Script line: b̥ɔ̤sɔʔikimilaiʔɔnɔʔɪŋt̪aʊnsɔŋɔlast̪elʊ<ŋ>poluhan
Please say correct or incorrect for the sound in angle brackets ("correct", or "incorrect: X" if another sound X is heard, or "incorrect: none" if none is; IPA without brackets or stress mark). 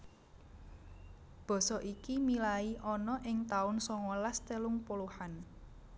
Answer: correct